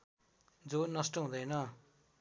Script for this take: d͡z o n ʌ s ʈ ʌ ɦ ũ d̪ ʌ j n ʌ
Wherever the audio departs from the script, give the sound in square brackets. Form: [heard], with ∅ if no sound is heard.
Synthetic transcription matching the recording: d͡z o n ʌ s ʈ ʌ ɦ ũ d̪ ʌ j n ʌ